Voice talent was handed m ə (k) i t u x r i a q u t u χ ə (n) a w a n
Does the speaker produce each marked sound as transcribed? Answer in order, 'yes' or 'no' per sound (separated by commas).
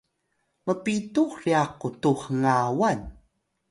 no, no